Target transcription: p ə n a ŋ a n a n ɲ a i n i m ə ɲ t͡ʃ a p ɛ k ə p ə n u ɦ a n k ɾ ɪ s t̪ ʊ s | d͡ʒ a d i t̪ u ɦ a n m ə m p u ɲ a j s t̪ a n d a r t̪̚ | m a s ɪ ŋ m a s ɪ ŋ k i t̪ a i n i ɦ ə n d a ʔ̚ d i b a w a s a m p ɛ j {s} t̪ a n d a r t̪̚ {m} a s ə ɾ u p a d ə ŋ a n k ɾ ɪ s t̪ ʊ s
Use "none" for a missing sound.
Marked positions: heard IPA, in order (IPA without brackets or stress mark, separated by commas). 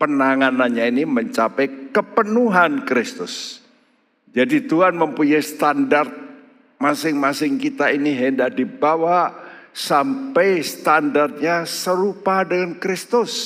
s, ɲ